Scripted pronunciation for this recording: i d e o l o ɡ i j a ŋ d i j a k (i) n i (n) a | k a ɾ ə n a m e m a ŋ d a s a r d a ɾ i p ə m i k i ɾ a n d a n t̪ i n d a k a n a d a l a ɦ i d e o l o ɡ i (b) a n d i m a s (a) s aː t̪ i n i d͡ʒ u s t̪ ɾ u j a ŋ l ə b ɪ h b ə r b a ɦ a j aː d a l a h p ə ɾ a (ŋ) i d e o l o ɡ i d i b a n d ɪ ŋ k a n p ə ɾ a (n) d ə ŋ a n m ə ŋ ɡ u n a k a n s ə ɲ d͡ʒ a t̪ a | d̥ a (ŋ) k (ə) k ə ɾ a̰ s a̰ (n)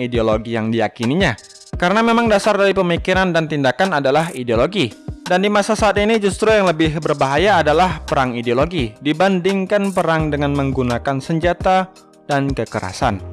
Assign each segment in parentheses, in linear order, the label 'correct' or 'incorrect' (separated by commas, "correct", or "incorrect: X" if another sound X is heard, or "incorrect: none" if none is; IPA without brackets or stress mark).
correct, incorrect: ɲ, incorrect: d, correct, correct, incorrect: ŋ, incorrect: n, correct, correct